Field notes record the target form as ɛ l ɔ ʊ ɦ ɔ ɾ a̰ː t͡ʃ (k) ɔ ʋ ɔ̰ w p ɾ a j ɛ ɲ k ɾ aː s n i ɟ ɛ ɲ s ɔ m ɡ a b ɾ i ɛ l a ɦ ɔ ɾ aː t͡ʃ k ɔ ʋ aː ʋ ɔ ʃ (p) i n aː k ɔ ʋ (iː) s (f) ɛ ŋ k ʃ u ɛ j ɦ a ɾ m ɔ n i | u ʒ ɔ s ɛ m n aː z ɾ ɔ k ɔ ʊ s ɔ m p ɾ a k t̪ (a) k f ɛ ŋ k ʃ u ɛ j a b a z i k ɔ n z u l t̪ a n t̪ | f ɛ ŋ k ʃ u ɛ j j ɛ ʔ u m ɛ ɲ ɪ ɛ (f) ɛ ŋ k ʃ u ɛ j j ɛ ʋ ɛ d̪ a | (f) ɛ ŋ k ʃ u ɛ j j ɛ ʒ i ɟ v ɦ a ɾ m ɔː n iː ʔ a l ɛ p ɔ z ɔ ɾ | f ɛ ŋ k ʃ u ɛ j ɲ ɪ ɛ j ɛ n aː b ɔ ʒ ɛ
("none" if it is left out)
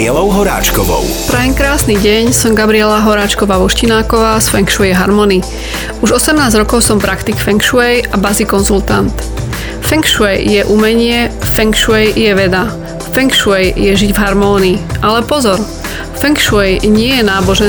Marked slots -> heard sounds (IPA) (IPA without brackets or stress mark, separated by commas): k, c, aː, f, i, f, f